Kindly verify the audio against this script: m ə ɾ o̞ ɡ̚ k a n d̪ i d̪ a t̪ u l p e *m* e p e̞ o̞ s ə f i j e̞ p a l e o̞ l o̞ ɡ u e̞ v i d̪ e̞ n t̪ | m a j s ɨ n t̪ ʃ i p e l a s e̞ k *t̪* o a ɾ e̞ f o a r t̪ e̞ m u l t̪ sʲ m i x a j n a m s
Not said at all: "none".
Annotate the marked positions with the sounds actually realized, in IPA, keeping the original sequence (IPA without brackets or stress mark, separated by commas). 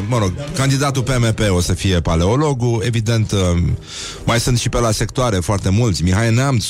m, t̪